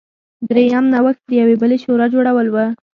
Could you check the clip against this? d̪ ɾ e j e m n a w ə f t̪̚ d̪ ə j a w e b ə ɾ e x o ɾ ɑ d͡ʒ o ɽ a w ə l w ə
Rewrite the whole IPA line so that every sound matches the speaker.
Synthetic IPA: d̪ ɾ e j a m n a w ə x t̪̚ d̪ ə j a w e b ə l e ʃ o ɾ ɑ d͡ʒ o ɽ a w ə l w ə